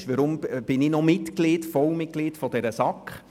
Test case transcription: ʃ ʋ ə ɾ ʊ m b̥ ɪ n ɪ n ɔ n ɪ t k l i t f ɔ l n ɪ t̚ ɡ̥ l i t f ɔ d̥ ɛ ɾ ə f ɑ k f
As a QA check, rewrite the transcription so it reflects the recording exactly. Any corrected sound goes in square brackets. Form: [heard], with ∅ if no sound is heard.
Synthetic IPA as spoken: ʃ ʋ ə ɾ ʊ m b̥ ɪ n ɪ n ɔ [m] ɪ t k l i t f ɔ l [m] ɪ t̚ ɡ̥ l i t f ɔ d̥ ɛ ɾ ə [s] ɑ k [χ]